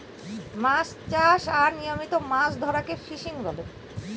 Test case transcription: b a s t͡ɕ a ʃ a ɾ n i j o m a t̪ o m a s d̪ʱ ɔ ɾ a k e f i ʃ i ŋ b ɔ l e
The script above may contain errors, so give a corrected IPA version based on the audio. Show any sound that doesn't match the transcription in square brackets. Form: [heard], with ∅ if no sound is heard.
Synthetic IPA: [m] a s t͡ɕ a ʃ a ɾ n i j o m [i] t̪ o m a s d̪ʱ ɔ ɾ a k e f i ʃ i ŋ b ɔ l e